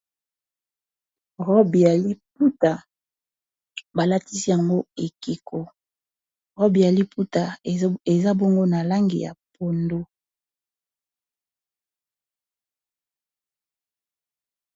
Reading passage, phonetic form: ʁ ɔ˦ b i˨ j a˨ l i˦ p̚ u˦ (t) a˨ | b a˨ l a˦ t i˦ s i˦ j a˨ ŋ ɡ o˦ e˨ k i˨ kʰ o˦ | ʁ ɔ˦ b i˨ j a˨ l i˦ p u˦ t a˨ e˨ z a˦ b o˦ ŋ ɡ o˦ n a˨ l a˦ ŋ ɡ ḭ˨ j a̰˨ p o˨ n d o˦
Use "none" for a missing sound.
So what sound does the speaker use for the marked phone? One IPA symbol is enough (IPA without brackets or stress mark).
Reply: t